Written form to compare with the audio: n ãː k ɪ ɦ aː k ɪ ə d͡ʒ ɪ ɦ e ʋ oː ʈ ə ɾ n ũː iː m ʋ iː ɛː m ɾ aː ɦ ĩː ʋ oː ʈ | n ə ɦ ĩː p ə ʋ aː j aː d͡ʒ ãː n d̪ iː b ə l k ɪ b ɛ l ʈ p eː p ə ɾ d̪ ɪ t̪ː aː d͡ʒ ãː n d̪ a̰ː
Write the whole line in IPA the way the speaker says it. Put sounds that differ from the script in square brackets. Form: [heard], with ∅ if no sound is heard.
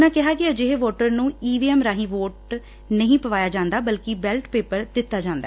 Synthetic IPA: n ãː k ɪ ɦ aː k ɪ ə d͡ʒ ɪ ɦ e ʋ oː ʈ ə ɾ n ũː iː [∅] ʋ iː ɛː m ɾ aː ɦ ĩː ʋ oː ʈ | n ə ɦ ĩː p ə ʋ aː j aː d͡ʒ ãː n d̪ [aː] b ə l k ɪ b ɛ l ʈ p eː p ə ɾ d̪ ɪ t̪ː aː d͡ʒ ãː n d̪ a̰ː

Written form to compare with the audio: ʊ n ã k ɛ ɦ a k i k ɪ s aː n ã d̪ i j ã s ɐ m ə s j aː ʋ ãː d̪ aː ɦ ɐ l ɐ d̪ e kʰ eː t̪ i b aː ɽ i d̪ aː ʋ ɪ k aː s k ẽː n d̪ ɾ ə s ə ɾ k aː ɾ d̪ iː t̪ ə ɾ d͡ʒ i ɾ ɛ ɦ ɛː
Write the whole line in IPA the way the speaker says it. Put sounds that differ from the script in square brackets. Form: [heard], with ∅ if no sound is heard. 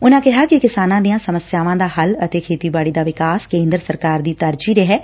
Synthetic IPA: ʊ n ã k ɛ ɦ a k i k ɪ s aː n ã d̪ i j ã s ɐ m ə s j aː ʋ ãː d̪ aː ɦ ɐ l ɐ [t̪] e kʰ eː t̪ i b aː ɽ i d̪ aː ʋ ɪ k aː s k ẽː n d̪ ɾ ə s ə ɾ k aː ɾ d̪ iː t̪ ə ɾ d͡ʒ i ɾ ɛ ɦ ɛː

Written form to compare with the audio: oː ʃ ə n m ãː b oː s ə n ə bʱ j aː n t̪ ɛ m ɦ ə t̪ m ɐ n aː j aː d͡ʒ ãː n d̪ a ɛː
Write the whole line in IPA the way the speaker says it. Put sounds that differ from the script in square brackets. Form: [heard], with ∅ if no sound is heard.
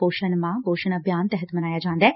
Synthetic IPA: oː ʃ ə n m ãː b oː [ʃ] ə n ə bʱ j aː n t̪ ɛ [∅] ɦ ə t̪ m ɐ n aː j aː d͡ʒ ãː n d̪ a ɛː

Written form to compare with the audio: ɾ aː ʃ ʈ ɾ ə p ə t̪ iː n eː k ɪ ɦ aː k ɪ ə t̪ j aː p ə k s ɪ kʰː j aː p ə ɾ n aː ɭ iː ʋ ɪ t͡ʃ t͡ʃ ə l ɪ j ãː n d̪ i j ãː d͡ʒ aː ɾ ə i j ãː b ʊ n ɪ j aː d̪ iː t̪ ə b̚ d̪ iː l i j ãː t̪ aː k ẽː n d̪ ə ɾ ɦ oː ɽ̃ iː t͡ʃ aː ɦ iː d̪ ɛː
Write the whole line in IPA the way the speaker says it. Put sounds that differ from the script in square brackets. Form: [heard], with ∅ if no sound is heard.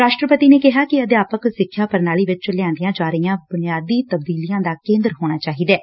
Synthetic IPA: ɾ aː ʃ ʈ ɾ ə p ə t̪ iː n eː k ɪ ɦ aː k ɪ ə [d̪] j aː p ə k s ɪ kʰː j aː p ə ɾ n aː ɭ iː ʋ ɪ t͡ʃ t͡ʃ ə l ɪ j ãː n d̪ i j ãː d͡ʒ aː ɾ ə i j ãː b ʊ n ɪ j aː d̪ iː t̪ ə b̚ d̪ iː l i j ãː [d̪] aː k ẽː n d̪ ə ɾ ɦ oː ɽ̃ [aː] t͡ʃ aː ɦ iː d̪ ɛː

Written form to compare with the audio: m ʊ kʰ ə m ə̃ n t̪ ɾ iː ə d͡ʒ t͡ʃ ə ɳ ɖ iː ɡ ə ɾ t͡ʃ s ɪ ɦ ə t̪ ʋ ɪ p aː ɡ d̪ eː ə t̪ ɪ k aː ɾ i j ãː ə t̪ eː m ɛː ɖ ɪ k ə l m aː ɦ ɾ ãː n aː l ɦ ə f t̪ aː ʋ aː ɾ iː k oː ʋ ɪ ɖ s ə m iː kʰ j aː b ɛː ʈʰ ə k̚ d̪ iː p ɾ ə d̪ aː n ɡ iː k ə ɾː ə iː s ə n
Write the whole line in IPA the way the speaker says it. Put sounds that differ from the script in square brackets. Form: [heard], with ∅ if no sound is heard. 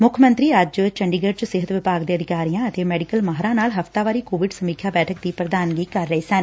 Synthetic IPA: m ʊ kʰ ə m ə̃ n t̪ ɾ iː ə d͡ʒ t͡ʃ ə ɳ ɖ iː ɡ ə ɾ t͡ʃ s ɪ ɦ ə t̪ ʋ ɪ p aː ɡ d̪ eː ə [d̪] ɪ k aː ɾ i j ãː ə t̪ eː m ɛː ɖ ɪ k ə l m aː ɦ ɾ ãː n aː l ɦ ə f t̪ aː ʋ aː ɾ iː k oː ʋ ɪ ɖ s ə m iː kʰ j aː b ɛː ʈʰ ə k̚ d̪ iː p ɾ ə d̪ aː n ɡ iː k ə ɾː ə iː s ə n

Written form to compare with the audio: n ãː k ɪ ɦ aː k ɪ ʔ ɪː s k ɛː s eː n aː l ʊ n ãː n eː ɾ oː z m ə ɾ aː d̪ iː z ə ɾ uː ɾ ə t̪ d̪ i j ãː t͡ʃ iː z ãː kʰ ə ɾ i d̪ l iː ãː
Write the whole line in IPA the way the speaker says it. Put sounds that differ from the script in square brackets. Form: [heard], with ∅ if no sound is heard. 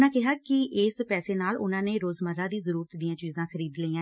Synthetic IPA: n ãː k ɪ ɦ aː k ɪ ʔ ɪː s [p] ɛː s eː n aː l ʊ n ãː n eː ɾ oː z m ə ɾ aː d̪ iː z ə ɾ uː ɾ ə t̪ d̪ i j ãː t͡ʃ iː z ãː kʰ ə ɾ [iː] d̪ l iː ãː

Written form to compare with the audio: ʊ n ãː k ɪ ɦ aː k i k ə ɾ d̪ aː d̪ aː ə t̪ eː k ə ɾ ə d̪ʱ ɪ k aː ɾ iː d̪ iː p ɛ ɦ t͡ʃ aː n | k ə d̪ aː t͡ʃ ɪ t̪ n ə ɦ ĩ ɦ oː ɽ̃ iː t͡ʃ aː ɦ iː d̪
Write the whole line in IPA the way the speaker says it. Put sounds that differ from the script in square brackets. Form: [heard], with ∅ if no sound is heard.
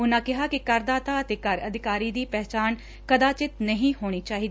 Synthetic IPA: ʊ n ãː k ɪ ɦ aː k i k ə ɾ d̪ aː [t̪] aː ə t̪ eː k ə ɾ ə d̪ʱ ɪ k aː ɾ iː d̪ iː p ɛ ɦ t͡ʃ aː n | k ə d̪ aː t͡ʃ ɪ t̪ n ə ɦ ĩ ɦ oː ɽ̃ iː t͡ʃ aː ɦ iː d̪

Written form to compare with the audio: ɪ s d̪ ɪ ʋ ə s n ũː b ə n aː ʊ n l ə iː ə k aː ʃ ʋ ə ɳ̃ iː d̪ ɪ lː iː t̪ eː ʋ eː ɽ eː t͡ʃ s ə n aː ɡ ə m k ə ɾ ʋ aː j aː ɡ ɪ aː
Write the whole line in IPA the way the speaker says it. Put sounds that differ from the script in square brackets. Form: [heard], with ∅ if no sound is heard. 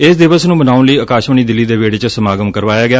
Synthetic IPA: ɪ s d̪ ɪ ʋ ə s n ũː b ə n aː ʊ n l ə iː ə k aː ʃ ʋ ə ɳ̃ iː d̪ ɪ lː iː [d̪] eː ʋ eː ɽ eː t͡ʃ s ə [m] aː ɡ ə m k ə ɾ ʋ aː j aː ɡ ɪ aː

